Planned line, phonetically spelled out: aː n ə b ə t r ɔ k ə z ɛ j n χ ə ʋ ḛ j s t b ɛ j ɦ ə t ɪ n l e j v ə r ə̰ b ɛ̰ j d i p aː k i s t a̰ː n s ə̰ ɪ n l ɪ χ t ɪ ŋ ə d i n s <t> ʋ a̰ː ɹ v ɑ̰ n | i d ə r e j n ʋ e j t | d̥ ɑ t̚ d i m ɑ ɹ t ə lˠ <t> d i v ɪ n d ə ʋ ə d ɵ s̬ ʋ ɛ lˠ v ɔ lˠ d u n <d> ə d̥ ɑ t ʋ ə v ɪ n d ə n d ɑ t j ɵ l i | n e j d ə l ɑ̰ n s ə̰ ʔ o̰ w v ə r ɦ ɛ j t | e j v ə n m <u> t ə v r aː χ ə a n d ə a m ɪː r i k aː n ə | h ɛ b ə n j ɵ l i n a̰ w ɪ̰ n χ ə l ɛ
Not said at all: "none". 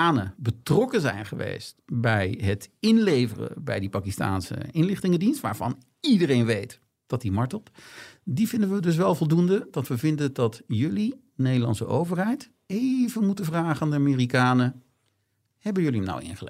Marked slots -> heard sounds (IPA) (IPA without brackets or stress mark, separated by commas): t, t, d, u